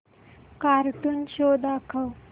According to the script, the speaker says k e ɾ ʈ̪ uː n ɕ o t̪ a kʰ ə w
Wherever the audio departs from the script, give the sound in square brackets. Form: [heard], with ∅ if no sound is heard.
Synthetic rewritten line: k [a] ɾ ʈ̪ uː n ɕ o [d̪] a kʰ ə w